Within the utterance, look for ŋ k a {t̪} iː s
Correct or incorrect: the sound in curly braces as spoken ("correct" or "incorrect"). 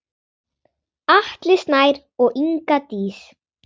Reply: correct